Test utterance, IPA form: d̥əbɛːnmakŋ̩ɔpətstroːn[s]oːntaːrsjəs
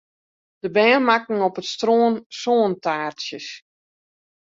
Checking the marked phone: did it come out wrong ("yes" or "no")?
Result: no